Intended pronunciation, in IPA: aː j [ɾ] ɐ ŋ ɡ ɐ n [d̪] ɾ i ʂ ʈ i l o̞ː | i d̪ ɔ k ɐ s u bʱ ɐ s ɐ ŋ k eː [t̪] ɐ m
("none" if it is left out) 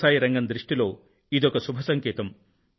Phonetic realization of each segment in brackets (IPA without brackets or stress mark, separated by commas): ɾ, d̪, t̪